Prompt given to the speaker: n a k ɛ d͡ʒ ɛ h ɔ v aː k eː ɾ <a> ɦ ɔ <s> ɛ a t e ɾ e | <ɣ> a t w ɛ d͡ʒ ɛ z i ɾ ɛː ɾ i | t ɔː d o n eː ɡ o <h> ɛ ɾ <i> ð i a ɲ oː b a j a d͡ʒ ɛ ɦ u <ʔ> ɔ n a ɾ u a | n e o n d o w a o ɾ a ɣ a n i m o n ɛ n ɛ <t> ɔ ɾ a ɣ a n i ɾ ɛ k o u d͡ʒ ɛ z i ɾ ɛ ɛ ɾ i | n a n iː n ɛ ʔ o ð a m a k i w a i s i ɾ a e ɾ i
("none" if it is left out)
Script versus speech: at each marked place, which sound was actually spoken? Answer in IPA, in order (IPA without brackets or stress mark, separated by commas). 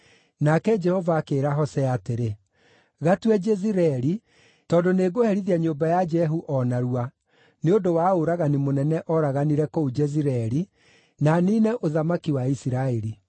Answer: a, s, ɣ, h, i, ʔ, ʔ